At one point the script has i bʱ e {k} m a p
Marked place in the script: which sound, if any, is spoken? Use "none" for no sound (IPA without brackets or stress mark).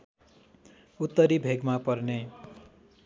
ɡ